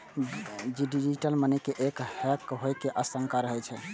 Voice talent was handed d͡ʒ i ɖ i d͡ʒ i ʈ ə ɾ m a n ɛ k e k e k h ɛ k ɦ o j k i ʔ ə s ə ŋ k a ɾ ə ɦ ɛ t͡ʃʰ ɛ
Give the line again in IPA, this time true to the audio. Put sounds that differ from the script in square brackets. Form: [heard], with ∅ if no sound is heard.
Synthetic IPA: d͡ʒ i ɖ i d͡ʒ i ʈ ə [l] m [ə] n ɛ k e [ʔ] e k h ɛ k ɦ o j k [e] ʔ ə s ə ŋ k a ɾ ə ɦ ɛ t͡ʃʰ ɛ